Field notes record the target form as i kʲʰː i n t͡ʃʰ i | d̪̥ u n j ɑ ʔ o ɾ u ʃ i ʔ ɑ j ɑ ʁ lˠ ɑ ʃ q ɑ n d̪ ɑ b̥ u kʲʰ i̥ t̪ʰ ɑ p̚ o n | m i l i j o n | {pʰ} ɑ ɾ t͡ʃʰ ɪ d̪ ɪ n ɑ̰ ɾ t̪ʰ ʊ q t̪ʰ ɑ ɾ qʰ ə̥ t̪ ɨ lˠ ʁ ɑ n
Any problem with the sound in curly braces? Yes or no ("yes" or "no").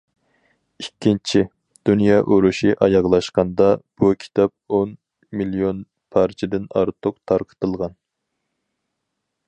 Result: no